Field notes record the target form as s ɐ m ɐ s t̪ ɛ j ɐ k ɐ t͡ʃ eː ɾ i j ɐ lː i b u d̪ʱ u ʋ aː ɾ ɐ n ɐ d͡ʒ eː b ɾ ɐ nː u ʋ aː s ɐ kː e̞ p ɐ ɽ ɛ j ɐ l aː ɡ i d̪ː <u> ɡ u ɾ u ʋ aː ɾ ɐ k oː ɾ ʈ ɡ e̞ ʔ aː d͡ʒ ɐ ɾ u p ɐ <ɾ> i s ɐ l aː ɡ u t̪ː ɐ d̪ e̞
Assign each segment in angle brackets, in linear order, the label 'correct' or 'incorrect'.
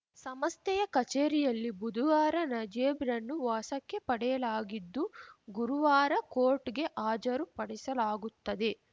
correct, incorrect

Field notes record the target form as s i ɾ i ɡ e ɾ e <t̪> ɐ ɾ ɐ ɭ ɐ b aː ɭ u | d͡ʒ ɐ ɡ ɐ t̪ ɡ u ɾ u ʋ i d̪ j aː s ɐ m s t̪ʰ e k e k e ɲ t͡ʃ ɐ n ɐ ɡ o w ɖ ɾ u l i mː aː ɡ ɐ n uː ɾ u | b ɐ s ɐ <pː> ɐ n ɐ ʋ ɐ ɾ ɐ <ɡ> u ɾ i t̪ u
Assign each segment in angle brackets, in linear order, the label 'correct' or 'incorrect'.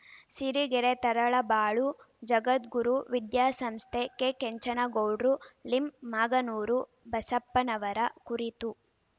correct, correct, incorrect

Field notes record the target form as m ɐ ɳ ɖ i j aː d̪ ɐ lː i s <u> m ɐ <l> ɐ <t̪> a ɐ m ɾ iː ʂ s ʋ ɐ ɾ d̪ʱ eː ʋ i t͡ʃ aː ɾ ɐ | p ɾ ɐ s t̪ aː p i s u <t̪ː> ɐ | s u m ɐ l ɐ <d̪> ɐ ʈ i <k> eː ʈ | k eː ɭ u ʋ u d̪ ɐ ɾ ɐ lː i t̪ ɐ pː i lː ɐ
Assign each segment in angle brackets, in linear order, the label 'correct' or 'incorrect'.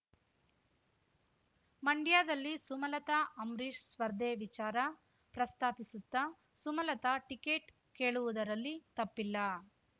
correct, correct, correct, correct, incorrect, correct

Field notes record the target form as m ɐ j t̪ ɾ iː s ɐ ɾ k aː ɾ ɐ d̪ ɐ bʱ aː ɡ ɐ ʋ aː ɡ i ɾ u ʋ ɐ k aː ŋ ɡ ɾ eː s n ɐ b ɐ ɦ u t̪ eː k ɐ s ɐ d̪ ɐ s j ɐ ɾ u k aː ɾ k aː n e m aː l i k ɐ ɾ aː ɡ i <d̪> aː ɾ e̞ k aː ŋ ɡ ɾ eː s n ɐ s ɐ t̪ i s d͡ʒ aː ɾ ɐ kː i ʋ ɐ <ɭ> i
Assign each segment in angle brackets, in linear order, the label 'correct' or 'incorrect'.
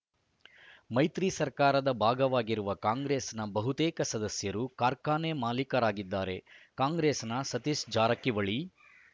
incorrect, correct

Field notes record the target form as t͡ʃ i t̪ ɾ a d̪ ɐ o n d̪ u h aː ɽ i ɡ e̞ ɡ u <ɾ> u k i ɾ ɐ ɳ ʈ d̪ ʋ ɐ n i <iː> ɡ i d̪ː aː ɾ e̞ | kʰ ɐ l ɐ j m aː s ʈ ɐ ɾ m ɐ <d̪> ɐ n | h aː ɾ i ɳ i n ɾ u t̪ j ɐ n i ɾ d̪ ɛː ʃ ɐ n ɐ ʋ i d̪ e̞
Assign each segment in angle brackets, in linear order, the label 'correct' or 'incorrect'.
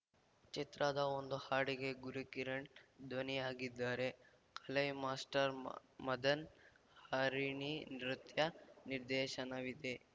correct, incorrect, correct

